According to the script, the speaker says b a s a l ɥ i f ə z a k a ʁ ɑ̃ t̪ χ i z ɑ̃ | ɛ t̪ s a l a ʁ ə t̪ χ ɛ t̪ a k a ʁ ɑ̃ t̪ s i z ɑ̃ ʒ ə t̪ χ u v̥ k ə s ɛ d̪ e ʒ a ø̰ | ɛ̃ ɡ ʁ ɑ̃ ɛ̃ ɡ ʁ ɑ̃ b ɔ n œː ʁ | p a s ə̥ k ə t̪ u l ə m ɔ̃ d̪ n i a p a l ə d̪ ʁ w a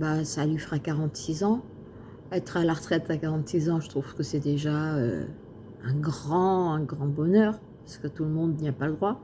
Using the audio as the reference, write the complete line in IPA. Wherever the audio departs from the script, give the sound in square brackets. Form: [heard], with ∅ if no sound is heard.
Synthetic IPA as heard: b a s a l ɥ i f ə [ʁ] a k a ʁ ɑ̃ t̪ [s] i z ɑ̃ | ɛ t̪ [χ] a l a ʁ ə t̪ χ ɛ t̪ a k a ʁ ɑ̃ t̪ s i z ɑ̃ ʒ ə t̪ χ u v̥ k ə s ɛ d̪ e ʒ a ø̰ | ɛ̃ ɡ ʁ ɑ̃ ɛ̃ ɡ ʁ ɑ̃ b ɔ n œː ʁ | p a s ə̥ k ə t̪ u l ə m ɔ̃ d̪ n i a p a l ə d̪ ʁ w a